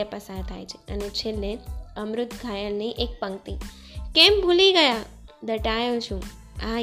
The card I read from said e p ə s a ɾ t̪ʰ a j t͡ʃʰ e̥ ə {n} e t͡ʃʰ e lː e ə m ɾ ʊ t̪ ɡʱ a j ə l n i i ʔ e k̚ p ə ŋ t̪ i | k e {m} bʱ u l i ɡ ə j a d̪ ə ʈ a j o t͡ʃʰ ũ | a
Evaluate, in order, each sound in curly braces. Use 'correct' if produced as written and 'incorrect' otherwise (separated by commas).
correct, correct